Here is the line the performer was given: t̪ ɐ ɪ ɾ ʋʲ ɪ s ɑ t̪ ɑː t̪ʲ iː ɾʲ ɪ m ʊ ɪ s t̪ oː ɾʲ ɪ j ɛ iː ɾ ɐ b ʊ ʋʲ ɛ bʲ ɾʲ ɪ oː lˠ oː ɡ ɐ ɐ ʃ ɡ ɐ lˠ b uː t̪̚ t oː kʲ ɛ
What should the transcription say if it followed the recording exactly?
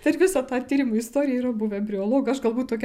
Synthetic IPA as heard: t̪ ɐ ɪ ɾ ʋʲ ɪ s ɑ t̪ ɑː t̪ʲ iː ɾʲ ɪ m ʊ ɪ s t̪ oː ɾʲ ɪ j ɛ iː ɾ ɐ b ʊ ʋʲ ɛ bʲ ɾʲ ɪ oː lˠ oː ɡ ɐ ɐ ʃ ɡ ɐ lˠ b uː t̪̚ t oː kʲ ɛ